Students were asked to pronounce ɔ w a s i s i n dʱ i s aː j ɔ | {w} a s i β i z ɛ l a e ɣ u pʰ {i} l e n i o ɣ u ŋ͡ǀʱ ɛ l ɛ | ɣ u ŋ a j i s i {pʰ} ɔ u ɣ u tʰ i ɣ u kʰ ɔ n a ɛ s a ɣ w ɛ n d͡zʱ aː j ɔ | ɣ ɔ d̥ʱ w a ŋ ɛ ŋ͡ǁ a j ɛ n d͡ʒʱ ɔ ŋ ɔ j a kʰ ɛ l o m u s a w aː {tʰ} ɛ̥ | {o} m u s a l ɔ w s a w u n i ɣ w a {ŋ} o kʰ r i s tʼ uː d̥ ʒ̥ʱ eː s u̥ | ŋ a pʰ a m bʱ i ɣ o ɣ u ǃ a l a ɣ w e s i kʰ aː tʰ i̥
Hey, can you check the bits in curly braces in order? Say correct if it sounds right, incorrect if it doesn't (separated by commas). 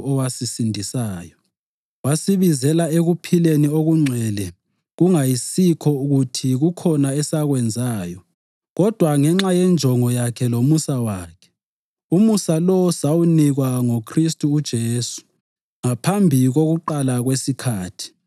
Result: correct, correct, incorrect, incorrect, incorrect, correct